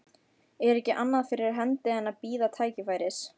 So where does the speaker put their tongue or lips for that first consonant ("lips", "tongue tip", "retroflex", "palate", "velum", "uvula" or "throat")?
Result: tongue tip